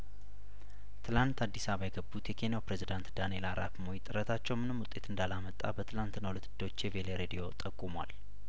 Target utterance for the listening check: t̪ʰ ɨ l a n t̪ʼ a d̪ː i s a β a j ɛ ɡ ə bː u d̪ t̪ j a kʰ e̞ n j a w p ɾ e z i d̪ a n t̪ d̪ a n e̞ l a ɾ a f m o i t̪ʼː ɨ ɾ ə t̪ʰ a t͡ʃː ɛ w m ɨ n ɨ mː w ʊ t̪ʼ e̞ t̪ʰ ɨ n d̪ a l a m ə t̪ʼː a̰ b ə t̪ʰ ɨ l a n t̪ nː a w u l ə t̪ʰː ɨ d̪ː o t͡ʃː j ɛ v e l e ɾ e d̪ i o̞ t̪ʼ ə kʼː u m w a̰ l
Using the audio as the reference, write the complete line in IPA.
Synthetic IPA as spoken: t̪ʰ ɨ l a n t̪ a d̪ː i s a β a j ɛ ɡ ə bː u t̪ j ɛ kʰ e̞ n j a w p ɾ e z i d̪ a n t̪ d̪ a n e̞ l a ɾ a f m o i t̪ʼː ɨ ɾ ə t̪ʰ a t͡ʃː ɛ w m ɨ n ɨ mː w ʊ t̪ʼ e̞ t̪ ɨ n d̪ a l a m ə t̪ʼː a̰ b ə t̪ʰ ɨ l a n t̪ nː a w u l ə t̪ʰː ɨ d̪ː o t͡ʃː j ɛ v e l e ɾ e d̪ i o̞ t̪ʼ ə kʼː u m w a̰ l

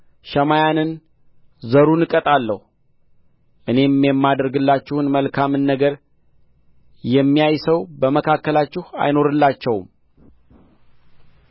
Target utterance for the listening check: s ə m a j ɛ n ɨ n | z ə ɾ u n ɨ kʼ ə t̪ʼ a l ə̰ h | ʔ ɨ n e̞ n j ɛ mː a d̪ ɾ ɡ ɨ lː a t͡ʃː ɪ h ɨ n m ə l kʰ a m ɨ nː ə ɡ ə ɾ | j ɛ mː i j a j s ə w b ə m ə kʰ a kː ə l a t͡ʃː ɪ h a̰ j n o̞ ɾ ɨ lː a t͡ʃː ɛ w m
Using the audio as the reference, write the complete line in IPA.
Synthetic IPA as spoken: ʃ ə m a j a n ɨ n | z ə ɾ u n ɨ kʼ ə t̪ʼ a lː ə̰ h | ʔ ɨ n e̞ m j ɛ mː a d̪ ɾ ɡ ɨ lː a t͡ʃː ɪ h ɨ n m ə l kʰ a m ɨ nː ə ɡ ə ɾ | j ɛ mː i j a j s ə w b ə m ə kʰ a kː ə l a t͡ʃː ɪ h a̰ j n o̞ ɾ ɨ lː a t͡ʃː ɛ w m

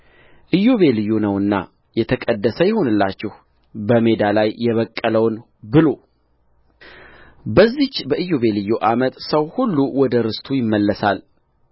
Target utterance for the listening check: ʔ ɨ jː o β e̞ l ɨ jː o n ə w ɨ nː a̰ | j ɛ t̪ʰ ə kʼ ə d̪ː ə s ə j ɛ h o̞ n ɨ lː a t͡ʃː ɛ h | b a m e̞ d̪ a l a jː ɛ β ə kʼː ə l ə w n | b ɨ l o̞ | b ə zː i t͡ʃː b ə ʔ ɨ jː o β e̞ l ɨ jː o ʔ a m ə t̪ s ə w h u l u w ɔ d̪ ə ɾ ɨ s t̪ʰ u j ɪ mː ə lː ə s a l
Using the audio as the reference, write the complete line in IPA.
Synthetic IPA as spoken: ʔ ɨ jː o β e̞ l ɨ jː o n ə w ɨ nː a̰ | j ɛ t̪ʰ ə kʼ ə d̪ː ə s ə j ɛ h o̞ n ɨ lː a t͡ʃː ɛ h | b ə m e̞ d̪ a l a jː ɛ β ə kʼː ə l ə w n | b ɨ l o̞ | b ə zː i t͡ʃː b ə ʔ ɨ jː o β e̞ l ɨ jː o ʔ a m ə t̪ s ə w h u lː u w ɔ d̪ ə ɾ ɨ s t̪ʰ u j ɪ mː ə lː ə s a l

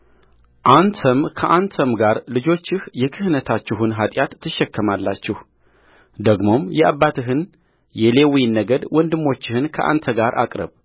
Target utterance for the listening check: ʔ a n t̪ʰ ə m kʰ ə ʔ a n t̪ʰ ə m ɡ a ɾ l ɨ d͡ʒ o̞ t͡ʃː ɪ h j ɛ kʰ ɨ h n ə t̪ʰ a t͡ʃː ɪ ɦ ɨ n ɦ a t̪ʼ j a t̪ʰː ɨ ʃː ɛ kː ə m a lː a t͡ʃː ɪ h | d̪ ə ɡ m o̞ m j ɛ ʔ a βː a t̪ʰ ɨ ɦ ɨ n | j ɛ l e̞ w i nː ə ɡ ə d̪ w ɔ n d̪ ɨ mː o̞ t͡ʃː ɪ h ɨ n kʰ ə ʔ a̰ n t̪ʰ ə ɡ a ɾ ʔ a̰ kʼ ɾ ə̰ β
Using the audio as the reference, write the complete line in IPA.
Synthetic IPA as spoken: ʔ a n t̪ʰ ə m kʰ ə ʔ a n t̪ʰ ə m ɡ a ɾ l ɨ d͡ʒ o̞ t͡ʃː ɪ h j ɛ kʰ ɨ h n ə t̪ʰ a t͡ʃː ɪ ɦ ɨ n ɦ a t̪ʼ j a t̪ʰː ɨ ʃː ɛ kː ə m a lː a t͡ʃː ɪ h | d̪ ə ɡ m o̞ m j ɛ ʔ a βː a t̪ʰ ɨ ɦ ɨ n | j ɛ l e̞ w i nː ə ɡ ə d̪ w ɔ n d̪ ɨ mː o̞ t͡ʃː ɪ h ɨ n kʰ ə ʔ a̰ n t̪ʰ ə ɡ a ɾ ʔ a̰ kʼ ɾ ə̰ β

